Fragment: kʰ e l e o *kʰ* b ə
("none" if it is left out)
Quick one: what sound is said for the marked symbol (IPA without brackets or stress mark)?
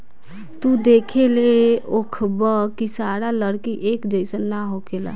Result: kʰ